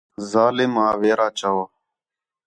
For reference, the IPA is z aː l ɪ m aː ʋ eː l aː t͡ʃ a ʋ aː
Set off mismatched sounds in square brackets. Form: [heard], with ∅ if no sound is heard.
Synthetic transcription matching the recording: z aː l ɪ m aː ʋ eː [ɾ] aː t͡ʃ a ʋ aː